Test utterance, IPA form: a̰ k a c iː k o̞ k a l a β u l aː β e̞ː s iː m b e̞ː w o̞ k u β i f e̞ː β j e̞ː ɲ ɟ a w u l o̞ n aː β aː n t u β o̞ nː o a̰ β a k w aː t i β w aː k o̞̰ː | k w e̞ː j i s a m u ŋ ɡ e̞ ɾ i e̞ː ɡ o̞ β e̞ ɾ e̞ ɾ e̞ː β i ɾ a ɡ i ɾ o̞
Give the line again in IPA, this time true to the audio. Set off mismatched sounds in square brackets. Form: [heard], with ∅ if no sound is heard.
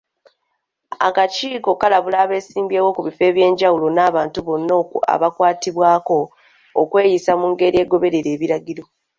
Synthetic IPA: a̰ k a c iː k o̞ k a l a β u l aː β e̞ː s iː m b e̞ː w o̞ k u β i f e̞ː β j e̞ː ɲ ɟ a w u l o̞ n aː β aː n t u β o̞ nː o a̰ β a k w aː t i β w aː k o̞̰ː | k w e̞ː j i s a m u ŋ ɡ e̞ ɾ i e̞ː ɡ o̞ β e̞ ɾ e̞ ɾ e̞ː β i ɾ a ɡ i ɾ o̞